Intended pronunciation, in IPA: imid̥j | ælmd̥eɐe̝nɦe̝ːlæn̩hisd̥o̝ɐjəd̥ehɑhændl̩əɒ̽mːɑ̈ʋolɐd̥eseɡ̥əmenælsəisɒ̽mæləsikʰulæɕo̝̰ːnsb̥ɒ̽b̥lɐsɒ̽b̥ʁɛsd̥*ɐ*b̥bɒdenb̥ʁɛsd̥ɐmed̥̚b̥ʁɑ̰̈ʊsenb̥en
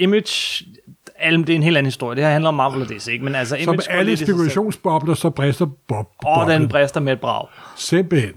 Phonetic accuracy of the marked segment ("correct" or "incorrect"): correct